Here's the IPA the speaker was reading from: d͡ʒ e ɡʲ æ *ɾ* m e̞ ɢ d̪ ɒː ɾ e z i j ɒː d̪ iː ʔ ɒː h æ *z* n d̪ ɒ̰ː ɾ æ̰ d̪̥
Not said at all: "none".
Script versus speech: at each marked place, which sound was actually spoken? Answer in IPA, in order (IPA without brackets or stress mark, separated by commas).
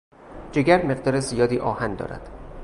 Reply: ɾ, none